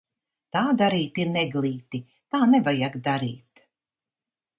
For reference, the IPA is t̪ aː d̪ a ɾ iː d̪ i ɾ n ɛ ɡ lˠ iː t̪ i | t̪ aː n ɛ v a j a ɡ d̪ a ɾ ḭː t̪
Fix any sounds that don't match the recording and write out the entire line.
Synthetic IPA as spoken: t̪ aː d̪ a ɾ iː t̪ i ɾ n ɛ ɡ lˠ iː t̪ i | t̪ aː n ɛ v a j a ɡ d̪ a ɾ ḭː t̪